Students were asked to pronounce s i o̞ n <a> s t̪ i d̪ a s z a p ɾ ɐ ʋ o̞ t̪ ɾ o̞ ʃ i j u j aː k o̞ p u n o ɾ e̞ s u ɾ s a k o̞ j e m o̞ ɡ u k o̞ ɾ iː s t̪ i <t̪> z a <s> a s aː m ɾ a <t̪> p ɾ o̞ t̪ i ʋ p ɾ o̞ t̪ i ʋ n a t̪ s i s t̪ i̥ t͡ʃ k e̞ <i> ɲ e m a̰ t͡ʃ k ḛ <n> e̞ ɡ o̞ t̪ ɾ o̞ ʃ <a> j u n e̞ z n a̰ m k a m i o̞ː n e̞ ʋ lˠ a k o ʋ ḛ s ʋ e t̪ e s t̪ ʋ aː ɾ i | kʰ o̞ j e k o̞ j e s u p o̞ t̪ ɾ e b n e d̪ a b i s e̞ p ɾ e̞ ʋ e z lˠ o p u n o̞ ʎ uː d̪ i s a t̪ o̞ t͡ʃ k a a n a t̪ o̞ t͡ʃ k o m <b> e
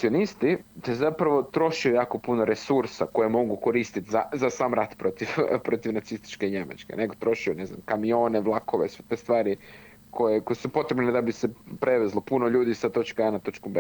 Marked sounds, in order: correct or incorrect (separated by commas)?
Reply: incorrect, correct, incorrect, correct, correct, correct, incorrect, correct